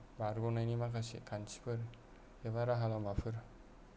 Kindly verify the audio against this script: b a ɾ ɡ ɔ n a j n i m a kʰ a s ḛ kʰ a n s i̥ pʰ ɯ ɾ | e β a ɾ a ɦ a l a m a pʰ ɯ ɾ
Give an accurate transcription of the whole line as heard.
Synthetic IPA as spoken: b a ɾ ɡ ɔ n a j n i m a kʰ a s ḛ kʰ a n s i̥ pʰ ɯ ɾ | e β a ɾ a ɦ a l a m a pʰ ɯ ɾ